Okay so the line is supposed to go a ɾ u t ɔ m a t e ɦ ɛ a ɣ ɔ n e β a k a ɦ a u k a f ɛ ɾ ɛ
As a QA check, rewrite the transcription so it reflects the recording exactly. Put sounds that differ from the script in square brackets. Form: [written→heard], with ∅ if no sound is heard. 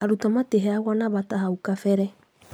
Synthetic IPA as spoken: a ɾ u t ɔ m a t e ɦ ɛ a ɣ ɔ n [e→a] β a [k→t] a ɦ a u k a f ɛ ɾ ɛ